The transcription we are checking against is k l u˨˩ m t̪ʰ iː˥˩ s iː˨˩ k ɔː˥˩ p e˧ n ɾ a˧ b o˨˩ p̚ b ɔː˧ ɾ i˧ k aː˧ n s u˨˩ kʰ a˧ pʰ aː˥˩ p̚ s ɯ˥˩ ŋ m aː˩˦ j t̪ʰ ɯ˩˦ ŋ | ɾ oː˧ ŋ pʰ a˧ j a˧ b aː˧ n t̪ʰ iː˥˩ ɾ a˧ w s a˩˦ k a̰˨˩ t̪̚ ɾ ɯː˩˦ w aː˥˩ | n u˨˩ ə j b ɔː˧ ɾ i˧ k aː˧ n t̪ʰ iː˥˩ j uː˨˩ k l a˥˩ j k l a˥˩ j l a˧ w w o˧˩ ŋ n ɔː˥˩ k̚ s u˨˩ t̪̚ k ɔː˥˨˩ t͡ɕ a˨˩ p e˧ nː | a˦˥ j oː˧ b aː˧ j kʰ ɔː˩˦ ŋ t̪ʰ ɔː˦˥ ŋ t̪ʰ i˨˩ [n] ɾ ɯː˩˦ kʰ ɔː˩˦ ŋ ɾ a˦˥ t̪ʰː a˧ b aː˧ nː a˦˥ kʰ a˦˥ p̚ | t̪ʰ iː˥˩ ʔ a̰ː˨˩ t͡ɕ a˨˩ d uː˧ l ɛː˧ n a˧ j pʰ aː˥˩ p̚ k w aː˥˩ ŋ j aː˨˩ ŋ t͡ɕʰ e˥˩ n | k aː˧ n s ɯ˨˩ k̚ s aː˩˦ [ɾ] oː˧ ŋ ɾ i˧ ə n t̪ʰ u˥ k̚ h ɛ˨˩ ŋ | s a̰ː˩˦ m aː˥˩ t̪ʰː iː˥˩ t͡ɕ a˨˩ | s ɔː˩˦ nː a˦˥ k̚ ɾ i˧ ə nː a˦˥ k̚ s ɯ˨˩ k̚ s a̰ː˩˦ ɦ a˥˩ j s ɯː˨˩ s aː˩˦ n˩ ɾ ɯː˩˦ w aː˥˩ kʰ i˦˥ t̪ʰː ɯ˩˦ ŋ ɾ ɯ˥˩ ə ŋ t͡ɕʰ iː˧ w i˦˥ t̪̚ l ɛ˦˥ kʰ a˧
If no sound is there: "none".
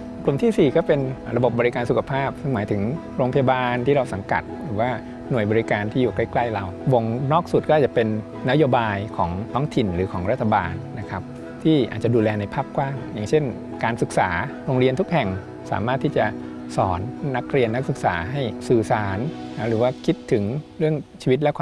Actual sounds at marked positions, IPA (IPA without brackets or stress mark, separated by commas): n, ɾ